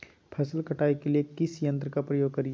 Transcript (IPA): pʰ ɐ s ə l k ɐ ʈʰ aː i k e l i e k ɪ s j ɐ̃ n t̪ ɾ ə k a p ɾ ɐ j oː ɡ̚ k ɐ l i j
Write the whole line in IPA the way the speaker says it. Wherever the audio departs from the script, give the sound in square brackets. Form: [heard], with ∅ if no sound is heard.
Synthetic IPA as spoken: pʰ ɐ s ə l k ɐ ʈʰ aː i k e l i e k ɪ s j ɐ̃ n t̪ ɾ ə k a p ɾ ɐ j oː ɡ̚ k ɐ [ɾ] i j